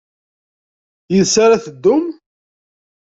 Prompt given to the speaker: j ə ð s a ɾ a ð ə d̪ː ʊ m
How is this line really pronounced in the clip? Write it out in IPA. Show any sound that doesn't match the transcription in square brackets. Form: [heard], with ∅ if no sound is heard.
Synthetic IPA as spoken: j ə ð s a ɾ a [θ] ə d̪ː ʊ m